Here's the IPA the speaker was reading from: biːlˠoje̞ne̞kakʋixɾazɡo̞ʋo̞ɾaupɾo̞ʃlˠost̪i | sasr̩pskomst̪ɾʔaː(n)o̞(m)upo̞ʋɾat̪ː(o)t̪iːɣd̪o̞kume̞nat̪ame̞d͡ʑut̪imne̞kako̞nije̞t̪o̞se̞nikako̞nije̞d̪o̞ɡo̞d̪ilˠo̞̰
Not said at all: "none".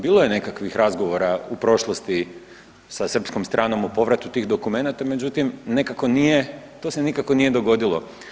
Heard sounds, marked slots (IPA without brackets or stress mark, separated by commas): n, m, u